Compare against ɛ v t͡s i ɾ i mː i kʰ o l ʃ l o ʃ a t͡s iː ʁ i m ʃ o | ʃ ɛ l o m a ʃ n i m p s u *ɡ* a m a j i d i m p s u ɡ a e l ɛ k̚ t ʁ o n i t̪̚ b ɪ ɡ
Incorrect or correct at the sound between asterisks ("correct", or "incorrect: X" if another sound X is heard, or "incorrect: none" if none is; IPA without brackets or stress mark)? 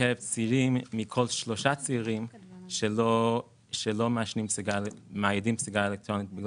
correct